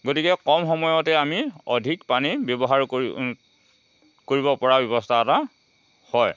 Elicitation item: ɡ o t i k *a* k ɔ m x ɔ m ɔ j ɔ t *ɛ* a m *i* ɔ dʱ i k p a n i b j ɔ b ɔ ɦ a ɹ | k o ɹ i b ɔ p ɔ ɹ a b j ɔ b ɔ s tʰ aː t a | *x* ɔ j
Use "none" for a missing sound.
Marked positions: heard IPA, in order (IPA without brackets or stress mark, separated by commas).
ɛ, ɛ, i, h